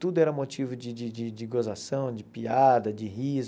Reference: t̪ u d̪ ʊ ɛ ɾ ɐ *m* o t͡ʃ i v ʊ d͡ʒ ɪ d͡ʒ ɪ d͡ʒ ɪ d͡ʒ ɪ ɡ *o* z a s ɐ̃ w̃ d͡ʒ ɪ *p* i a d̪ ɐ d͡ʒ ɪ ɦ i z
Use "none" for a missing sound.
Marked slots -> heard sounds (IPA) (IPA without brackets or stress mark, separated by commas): m, o, p